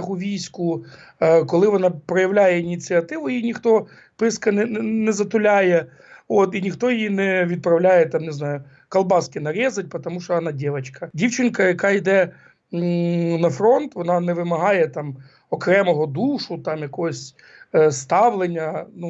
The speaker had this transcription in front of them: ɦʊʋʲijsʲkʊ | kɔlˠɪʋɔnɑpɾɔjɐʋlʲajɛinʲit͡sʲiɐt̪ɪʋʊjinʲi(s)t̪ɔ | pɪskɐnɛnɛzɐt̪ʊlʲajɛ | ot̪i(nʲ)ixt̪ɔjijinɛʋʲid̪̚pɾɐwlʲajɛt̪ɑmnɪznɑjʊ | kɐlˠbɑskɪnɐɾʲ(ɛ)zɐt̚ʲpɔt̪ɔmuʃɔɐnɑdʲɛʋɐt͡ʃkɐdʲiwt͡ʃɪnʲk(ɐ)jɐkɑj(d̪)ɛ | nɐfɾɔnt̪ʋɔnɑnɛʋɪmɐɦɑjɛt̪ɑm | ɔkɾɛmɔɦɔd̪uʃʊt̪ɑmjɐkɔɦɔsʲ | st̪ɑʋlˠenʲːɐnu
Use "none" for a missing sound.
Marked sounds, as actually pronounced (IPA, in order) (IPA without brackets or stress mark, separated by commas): x, nʲ, ɛ, ɐ, d̪